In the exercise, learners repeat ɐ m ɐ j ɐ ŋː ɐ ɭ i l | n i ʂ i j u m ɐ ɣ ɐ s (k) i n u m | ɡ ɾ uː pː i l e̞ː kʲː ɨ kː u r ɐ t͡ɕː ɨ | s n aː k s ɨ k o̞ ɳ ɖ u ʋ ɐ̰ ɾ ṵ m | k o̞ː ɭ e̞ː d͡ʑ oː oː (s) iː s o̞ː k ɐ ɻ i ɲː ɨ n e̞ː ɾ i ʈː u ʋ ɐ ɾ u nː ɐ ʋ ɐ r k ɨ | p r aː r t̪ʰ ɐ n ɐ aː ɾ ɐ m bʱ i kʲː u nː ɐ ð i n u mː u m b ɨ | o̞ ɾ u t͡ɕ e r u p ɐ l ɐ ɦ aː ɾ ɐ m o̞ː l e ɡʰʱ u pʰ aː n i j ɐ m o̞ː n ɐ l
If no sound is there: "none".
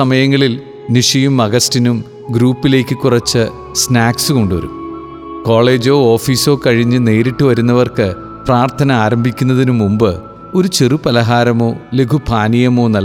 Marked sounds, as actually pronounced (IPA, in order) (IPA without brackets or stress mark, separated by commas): t, f